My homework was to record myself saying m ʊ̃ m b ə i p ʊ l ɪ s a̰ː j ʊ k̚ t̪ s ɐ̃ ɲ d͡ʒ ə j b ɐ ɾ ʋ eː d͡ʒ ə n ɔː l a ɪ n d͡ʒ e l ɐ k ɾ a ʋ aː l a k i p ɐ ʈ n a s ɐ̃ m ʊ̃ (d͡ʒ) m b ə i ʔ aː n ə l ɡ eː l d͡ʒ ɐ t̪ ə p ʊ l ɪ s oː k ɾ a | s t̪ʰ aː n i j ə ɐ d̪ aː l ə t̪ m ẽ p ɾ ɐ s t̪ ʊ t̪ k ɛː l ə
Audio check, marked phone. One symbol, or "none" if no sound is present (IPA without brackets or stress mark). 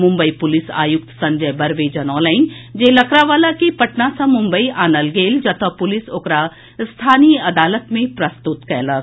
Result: none